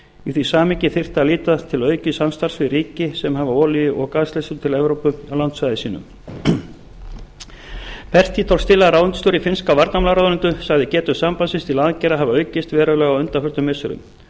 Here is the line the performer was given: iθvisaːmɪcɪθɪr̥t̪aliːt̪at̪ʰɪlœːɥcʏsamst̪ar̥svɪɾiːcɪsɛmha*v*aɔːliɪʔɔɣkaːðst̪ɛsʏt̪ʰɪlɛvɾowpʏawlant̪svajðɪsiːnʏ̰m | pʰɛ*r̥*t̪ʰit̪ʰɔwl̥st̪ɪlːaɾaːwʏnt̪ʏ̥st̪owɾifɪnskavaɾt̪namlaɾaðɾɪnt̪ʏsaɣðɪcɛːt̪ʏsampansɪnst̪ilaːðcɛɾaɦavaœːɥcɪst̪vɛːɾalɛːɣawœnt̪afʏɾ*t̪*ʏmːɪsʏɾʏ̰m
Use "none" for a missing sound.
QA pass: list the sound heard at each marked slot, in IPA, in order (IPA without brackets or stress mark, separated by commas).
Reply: v, r̥, t̪